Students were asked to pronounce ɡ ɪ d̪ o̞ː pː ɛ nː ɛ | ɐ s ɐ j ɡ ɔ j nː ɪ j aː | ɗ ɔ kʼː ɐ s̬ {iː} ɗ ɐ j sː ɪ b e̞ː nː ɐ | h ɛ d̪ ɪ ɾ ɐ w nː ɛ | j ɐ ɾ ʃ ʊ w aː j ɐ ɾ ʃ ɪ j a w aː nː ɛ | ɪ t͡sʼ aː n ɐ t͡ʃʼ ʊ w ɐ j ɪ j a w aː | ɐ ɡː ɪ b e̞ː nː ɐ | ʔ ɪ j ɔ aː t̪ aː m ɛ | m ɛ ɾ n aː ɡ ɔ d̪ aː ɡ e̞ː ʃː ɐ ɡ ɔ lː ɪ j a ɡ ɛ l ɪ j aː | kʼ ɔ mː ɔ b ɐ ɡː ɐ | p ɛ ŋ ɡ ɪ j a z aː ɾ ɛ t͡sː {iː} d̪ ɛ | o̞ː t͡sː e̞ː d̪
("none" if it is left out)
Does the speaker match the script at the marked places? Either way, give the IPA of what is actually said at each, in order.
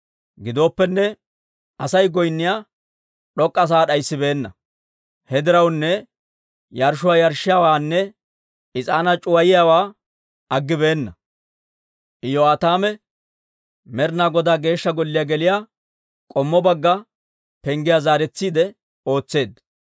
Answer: aː, iː

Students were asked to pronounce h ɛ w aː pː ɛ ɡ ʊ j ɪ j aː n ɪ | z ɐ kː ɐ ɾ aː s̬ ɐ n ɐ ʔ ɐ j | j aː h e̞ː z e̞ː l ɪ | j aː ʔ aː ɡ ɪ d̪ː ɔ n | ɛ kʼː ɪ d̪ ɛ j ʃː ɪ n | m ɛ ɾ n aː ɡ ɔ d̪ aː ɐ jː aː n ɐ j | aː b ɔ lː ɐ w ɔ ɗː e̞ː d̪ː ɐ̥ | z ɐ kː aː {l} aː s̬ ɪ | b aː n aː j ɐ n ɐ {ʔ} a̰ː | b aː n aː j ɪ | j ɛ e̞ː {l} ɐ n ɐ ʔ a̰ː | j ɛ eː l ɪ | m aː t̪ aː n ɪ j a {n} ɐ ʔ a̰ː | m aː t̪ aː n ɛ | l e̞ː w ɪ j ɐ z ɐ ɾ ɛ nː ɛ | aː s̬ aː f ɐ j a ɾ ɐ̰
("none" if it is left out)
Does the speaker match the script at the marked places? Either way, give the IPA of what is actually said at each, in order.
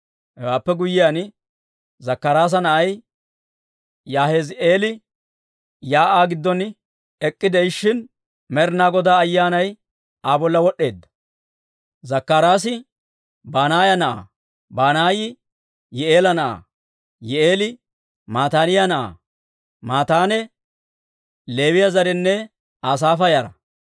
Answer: ɾ, ʔ, l, n

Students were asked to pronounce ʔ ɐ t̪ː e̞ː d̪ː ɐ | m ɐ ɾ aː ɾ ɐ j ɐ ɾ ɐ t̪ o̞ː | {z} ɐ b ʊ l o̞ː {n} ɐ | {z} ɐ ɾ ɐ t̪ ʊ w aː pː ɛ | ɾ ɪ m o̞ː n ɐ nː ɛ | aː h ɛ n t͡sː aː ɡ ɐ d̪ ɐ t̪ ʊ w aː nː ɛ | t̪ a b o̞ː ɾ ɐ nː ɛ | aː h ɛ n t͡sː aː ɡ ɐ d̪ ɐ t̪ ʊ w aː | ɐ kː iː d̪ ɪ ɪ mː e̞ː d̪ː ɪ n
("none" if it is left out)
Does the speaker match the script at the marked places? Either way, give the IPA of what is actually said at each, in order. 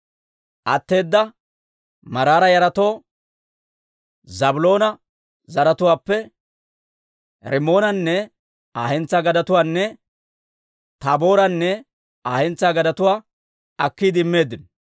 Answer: z, n, z

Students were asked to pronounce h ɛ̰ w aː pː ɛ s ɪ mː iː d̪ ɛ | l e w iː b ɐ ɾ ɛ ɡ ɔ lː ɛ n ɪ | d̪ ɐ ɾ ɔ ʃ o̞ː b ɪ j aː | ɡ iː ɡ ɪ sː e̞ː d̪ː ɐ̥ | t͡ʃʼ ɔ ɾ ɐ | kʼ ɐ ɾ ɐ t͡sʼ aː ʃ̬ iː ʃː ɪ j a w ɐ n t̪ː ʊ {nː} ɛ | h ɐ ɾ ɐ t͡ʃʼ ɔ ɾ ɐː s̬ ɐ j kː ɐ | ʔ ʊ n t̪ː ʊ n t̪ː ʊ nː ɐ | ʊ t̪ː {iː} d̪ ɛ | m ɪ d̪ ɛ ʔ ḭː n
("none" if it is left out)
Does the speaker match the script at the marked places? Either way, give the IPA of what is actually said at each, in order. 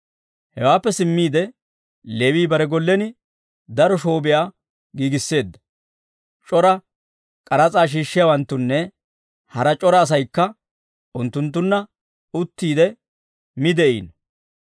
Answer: nː, iː

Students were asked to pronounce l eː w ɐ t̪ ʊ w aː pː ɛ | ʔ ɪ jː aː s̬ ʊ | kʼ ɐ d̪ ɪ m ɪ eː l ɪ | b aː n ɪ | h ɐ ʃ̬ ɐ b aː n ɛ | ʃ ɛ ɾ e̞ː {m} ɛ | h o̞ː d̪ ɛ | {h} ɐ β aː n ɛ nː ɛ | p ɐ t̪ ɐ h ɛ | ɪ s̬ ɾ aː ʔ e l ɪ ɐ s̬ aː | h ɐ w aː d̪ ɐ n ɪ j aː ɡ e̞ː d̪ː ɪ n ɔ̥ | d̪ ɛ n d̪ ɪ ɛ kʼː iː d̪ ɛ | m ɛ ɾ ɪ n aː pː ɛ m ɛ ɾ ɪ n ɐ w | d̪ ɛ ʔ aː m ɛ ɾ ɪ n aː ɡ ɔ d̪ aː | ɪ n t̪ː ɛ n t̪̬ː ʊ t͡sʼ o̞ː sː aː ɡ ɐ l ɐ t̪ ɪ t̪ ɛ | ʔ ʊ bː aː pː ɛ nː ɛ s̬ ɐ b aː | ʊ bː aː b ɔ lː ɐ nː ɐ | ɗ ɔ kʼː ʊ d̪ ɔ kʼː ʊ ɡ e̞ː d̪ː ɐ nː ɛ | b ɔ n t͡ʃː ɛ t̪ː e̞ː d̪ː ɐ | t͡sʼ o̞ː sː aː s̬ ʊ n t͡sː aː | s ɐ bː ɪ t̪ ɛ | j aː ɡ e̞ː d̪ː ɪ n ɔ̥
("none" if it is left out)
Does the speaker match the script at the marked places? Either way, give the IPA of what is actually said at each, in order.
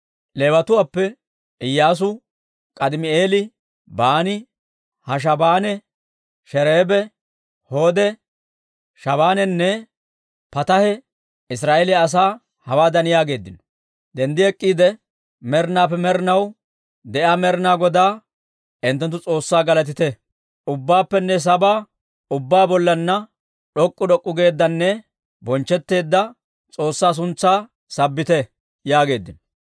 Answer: b, ʃ

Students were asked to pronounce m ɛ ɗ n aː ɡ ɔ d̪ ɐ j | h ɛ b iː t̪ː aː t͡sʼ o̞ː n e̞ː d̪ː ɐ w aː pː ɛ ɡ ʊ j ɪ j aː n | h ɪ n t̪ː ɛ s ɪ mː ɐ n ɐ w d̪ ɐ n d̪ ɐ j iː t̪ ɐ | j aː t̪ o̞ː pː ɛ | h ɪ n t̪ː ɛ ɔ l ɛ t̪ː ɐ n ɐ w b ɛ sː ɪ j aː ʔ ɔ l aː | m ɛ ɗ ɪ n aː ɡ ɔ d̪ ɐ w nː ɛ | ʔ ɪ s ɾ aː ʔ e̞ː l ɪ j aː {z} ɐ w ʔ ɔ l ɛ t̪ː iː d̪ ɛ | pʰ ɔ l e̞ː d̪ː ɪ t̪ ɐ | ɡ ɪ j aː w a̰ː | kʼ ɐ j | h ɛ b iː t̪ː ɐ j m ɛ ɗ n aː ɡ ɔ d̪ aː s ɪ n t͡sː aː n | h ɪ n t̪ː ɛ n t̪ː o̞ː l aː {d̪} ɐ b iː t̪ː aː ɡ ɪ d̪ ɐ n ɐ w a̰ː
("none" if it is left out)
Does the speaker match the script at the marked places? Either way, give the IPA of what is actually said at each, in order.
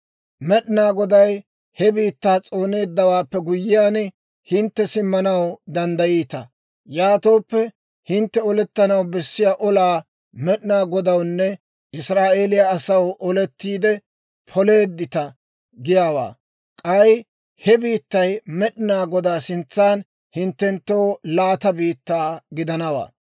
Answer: s, t̪

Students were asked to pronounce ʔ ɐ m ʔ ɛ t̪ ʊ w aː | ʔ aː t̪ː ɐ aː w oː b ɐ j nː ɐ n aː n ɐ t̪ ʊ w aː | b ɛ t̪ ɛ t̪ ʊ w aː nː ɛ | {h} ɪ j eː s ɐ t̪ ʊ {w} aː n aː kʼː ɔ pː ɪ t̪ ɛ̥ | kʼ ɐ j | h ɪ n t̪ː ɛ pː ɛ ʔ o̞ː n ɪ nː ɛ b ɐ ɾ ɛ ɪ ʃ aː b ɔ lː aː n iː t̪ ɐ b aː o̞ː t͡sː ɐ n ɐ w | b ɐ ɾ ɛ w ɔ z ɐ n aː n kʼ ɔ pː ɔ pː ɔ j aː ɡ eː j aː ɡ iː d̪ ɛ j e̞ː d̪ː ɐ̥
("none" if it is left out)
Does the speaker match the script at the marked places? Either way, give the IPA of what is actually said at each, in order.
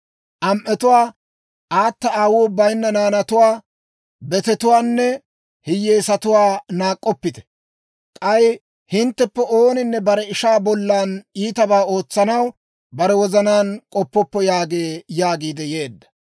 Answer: h, w

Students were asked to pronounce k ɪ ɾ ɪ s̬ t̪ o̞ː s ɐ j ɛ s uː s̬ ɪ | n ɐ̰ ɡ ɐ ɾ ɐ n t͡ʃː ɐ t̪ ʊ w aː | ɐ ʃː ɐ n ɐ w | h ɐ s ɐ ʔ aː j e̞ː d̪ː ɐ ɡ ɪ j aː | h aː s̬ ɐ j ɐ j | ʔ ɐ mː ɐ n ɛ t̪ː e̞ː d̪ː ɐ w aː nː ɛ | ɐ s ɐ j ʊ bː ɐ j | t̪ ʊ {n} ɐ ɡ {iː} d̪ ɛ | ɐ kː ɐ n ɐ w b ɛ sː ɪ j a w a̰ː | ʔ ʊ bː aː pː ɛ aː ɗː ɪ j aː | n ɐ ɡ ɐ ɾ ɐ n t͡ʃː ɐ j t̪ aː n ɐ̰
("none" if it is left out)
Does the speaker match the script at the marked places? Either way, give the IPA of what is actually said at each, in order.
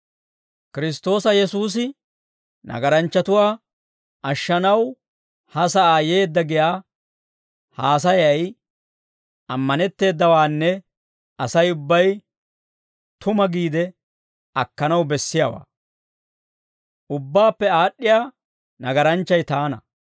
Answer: m, iː

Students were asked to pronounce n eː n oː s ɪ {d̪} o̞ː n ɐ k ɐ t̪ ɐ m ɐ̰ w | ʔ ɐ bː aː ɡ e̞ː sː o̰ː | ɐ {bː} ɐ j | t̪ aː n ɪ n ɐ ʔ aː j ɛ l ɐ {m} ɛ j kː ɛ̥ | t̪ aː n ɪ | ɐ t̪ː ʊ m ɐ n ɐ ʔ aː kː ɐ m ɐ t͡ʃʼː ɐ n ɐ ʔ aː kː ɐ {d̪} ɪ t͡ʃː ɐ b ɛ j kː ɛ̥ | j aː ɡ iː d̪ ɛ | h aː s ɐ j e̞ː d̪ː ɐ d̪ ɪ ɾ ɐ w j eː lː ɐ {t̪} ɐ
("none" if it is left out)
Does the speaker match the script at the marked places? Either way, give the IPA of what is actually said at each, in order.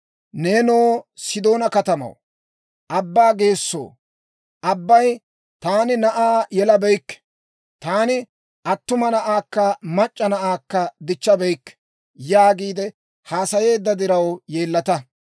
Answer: d̪, bː, b, d̪, t̪

